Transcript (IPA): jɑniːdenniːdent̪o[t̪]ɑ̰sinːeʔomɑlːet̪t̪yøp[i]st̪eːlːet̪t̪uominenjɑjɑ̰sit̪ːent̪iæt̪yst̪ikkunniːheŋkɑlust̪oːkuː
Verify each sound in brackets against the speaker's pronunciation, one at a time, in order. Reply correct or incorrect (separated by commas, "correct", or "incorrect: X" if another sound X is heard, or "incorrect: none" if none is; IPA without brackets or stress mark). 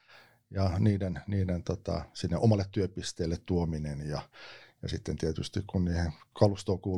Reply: correct, correct